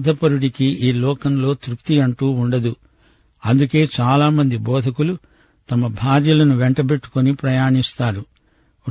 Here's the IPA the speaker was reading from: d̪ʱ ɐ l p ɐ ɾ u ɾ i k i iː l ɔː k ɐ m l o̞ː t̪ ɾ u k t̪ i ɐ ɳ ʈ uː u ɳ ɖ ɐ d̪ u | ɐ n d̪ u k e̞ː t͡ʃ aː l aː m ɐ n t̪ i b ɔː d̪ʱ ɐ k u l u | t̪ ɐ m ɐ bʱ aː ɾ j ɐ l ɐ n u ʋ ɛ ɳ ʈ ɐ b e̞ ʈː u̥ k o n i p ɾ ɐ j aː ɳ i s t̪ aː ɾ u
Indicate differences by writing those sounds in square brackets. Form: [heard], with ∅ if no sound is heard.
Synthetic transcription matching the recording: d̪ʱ ɐ [∅] p ɐ ɾ u [ɽ] i k i iː l ɔː k ɐ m l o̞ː t̪ ɾ u k t̪ i ɐ ɳ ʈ uː u ɳ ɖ ɐ d̪ u | ɐ n d̪ u k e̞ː t͡ʃ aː l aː m ɐ n [d̪] i b ɔː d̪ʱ ɐ k u l u | t̪ ɐ m ɐ bʱ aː ɾ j ɐ l ɐ n u ʋ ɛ ɳ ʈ ɐ b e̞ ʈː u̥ k o n i p ɾ ɐ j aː ɳ i s t̪ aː ɾ u